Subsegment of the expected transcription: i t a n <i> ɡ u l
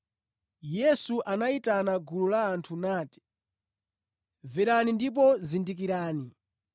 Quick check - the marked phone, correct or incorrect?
incorrect